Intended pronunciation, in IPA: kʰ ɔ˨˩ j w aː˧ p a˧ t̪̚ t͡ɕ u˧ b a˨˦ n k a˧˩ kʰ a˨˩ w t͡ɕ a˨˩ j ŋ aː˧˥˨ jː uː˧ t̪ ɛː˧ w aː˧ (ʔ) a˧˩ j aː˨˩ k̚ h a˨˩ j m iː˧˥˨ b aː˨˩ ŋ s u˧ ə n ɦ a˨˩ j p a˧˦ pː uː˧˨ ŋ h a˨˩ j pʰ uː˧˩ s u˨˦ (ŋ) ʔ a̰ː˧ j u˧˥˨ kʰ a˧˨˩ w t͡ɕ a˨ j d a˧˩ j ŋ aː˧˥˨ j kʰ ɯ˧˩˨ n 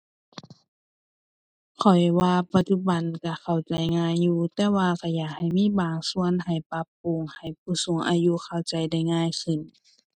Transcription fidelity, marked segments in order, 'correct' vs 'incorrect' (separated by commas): incorrect, correct